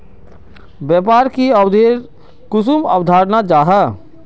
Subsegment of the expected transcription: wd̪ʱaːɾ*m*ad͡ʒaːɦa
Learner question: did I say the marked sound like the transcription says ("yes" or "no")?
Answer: no